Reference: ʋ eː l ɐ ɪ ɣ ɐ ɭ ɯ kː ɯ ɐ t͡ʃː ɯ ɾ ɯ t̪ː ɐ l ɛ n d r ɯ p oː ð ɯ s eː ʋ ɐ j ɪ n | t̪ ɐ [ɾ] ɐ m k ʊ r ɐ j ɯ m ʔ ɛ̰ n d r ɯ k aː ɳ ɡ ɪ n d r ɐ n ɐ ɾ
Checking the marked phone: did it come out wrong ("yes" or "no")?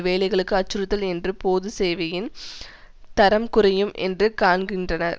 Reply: no